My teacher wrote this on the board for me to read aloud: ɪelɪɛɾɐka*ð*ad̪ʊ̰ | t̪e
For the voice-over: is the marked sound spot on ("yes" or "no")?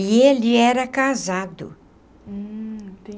no